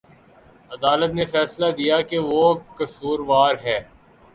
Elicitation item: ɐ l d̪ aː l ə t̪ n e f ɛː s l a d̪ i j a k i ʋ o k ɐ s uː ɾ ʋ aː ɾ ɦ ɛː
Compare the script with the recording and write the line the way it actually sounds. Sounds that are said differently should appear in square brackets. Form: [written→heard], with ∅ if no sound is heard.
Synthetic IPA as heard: ɐ [l→∅] d̪ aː l ə t̪ n e f ɛː s l a d̪ i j a k [i→e] ʋ o k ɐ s uː ɾ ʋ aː ɾ ɦ ɛː